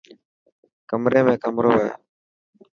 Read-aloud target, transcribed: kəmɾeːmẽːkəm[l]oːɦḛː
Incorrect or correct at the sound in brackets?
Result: incorrect: ɾ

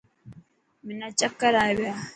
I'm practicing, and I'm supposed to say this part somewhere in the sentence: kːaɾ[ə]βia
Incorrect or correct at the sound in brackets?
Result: incorrect: a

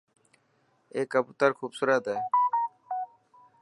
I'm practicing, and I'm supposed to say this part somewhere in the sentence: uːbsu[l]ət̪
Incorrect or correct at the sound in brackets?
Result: incorrect: ɾ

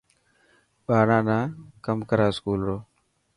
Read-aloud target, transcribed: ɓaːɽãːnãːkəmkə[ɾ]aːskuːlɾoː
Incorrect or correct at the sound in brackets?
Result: correct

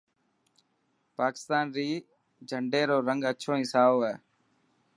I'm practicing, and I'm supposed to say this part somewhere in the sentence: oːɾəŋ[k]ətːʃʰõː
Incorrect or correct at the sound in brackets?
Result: incorrect: ɡ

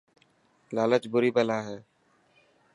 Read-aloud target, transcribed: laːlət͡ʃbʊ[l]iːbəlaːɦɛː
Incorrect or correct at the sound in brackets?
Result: incorrect: ɾ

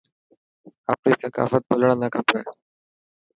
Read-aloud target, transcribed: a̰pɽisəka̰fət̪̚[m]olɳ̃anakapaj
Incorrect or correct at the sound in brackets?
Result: incorrect: b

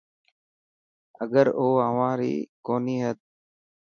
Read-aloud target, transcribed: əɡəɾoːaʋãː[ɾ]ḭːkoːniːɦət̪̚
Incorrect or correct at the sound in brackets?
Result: correct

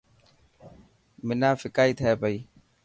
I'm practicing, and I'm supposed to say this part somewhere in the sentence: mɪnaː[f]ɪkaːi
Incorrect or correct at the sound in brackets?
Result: correct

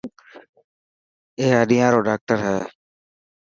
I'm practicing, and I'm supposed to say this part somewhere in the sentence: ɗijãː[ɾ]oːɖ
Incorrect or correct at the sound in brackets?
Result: correct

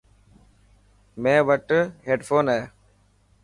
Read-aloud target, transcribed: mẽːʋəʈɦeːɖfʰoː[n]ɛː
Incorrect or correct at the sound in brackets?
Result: correct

